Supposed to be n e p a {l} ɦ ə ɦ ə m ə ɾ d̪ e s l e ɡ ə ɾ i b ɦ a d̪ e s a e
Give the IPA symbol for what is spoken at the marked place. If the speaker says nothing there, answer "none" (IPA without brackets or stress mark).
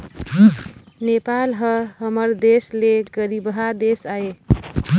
l